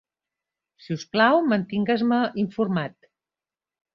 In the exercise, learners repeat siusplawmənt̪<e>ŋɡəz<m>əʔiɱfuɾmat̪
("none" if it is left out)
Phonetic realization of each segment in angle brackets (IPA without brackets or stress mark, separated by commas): i, m